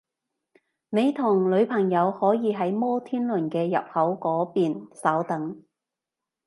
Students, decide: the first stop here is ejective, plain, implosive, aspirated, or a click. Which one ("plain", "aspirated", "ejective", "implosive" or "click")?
aspirated